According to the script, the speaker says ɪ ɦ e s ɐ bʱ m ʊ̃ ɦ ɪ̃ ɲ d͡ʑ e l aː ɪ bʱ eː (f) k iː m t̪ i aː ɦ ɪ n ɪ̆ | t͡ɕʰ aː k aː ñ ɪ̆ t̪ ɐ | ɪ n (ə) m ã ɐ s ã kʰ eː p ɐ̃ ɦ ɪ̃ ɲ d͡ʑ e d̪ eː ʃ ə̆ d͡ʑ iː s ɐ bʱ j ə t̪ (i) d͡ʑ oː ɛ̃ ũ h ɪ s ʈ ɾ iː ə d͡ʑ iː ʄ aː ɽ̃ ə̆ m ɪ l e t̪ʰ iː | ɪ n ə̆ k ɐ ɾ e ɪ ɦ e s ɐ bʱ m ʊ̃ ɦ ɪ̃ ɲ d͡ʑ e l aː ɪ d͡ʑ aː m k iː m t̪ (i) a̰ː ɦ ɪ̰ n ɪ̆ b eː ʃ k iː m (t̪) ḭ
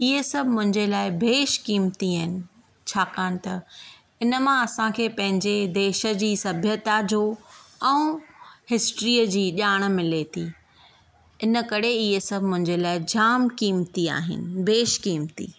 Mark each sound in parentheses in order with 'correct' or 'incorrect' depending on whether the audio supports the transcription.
incorrect: ʃ, correct, incorrect: a, correct, correct

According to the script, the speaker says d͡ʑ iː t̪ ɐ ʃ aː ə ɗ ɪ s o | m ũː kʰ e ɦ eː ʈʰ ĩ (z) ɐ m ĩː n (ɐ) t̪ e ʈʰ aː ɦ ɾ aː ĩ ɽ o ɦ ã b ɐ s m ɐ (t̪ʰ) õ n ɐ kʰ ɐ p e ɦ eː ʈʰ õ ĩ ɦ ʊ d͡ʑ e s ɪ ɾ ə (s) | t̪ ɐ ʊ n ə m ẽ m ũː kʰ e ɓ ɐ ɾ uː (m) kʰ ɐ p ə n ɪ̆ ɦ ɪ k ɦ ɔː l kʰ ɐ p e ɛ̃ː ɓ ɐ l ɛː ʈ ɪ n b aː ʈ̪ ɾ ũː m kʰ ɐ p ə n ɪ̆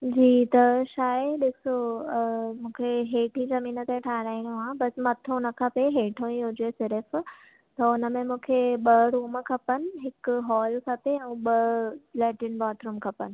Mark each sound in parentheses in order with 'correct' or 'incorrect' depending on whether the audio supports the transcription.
correct, incorrect: ə, correct, incorrect: f, correct

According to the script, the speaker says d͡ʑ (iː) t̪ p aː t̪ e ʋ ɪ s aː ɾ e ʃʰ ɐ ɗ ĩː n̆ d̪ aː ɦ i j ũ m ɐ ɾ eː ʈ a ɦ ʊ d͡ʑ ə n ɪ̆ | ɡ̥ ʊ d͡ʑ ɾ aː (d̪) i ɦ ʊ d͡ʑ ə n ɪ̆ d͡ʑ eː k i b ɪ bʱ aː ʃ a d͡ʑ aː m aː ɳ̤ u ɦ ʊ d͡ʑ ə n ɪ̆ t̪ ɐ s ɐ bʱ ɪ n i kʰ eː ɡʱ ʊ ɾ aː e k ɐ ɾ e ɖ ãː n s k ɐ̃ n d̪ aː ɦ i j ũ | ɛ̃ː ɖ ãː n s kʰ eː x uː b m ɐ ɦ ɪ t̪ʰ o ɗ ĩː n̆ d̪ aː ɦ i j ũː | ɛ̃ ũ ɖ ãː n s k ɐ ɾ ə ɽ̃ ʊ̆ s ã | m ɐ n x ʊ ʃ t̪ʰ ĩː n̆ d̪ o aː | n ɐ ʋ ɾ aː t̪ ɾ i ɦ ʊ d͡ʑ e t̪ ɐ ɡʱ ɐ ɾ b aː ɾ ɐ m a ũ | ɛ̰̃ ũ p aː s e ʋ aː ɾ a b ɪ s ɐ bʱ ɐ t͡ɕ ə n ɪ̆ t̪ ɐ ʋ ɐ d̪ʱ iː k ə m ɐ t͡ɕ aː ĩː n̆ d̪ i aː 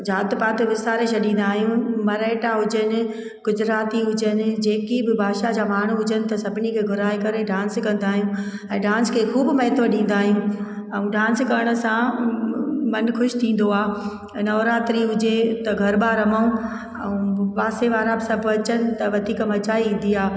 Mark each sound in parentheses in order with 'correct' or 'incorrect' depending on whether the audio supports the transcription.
incorrect: aː, incorrect: t̪

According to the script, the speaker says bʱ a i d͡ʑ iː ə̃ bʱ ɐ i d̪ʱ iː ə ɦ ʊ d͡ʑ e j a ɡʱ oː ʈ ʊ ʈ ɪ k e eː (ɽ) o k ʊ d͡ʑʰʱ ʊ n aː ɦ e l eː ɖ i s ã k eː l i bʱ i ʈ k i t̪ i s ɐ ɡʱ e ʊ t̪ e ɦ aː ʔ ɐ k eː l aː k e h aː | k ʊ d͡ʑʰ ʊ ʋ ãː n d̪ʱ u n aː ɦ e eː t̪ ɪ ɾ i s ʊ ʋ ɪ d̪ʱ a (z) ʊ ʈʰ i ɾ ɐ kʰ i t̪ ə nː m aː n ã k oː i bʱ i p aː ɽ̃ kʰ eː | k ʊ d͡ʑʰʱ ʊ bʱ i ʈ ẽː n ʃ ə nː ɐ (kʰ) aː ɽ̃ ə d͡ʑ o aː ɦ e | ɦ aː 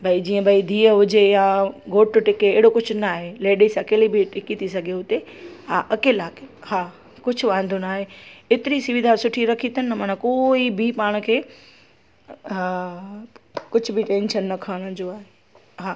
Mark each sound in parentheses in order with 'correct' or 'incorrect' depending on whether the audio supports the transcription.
correct, incorrect: s, correct

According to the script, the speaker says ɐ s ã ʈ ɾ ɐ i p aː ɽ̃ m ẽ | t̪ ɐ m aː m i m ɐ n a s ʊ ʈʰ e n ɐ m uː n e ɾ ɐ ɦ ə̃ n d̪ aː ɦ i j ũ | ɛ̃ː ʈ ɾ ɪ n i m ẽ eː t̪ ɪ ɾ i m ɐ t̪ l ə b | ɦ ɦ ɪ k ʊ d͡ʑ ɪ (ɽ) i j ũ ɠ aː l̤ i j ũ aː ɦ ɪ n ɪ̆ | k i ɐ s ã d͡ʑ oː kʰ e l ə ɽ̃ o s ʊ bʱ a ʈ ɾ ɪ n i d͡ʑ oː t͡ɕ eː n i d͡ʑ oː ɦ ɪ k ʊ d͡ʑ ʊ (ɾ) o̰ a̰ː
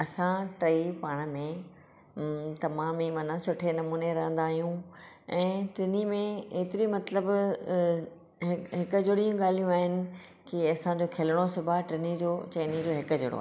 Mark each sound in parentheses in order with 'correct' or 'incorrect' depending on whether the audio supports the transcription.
correct, incorrect: ɽ

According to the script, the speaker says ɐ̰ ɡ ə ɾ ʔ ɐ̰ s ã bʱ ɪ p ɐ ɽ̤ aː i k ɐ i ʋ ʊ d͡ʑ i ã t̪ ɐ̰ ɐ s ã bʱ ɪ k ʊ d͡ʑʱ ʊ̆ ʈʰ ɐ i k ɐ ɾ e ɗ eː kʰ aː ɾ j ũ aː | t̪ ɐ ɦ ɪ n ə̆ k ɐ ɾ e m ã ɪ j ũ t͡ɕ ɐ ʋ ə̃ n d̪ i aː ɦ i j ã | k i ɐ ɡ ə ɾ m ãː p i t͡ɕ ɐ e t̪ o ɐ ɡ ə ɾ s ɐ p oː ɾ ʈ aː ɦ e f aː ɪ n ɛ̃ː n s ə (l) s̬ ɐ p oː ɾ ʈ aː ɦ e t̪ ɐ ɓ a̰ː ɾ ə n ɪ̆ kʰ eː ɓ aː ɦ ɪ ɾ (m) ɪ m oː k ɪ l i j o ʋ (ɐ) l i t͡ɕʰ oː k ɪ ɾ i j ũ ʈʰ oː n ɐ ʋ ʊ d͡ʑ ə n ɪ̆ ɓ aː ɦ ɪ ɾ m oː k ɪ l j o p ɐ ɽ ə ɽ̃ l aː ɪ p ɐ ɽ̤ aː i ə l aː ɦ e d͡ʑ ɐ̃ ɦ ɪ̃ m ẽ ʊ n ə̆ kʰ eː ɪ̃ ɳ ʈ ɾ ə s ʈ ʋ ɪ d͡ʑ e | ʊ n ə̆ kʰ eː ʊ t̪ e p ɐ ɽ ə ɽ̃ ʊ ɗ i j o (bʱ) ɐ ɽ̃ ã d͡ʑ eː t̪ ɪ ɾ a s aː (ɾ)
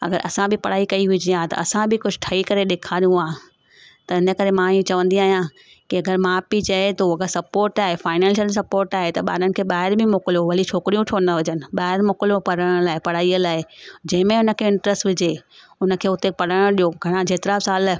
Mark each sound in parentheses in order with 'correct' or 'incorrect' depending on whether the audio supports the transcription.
correct, incorrect: b, correct, incorrect: ɡʱ, incorrect: l

